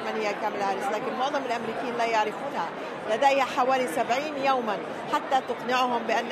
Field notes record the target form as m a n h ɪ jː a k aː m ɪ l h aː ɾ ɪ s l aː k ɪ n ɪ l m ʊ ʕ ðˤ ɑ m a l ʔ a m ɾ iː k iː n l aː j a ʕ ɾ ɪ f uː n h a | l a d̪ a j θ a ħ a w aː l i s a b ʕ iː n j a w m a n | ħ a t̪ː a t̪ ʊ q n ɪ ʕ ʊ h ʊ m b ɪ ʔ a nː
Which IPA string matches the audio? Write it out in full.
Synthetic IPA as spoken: m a n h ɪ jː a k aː m ɪ l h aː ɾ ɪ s l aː k ɪ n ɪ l m ʊ ʕ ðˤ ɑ m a l ʔ a m ɾ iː k iː n l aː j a ʕ ɾ ɪ f uː n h a | l a d̪ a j h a ħ a w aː l i s a b ʕ iː n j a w m a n | ħ a t̪ː a t̪ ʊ q n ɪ ʕ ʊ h ʊ m b ɪ ʔ a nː